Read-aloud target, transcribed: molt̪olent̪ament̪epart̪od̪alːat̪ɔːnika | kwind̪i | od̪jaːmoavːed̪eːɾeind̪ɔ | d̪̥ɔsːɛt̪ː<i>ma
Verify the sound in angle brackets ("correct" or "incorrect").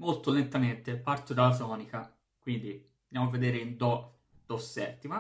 correct